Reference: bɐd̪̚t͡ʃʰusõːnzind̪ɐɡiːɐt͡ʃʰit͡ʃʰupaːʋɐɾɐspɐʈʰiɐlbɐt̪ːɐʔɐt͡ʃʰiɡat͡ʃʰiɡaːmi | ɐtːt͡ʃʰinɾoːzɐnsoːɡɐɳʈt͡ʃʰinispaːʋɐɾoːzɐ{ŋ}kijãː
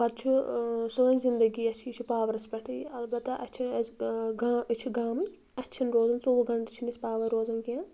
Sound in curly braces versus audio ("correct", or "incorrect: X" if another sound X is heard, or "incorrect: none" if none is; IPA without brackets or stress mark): incorrect: n